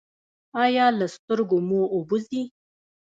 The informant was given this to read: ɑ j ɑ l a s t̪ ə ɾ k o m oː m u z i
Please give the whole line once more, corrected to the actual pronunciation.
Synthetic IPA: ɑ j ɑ l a s t̪ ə ɾ ɡ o m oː b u z i